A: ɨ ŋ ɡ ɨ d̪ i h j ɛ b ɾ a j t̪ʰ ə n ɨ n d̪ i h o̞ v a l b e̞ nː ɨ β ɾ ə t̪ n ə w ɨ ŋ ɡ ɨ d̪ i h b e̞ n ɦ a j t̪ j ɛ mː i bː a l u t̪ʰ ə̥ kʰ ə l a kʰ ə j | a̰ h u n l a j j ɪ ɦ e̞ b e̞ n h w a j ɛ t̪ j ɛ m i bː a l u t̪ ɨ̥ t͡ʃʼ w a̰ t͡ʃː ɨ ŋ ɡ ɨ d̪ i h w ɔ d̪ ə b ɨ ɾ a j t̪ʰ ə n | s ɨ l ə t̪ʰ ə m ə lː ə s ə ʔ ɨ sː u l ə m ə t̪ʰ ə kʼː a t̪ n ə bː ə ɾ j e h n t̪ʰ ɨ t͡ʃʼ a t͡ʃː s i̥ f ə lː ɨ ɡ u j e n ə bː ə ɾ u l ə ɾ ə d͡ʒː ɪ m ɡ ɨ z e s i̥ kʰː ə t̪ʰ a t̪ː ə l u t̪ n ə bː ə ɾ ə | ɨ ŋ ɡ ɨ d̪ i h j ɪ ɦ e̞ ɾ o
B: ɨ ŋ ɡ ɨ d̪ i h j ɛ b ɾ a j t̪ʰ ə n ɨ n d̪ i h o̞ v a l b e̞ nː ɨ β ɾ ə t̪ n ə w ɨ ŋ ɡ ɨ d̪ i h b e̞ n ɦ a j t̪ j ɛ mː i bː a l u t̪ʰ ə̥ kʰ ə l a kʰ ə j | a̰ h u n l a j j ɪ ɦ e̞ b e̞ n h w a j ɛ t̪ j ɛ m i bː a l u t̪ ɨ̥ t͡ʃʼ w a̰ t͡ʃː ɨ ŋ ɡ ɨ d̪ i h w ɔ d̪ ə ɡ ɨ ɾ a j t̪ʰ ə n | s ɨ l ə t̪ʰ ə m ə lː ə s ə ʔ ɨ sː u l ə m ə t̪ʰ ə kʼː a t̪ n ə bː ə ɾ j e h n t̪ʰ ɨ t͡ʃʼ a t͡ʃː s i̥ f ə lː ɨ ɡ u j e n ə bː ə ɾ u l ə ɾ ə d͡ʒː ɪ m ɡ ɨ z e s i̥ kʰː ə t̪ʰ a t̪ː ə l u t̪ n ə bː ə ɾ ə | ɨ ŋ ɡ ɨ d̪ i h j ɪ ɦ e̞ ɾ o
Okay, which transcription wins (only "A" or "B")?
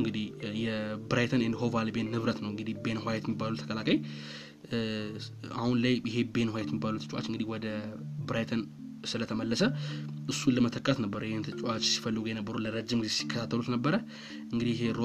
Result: A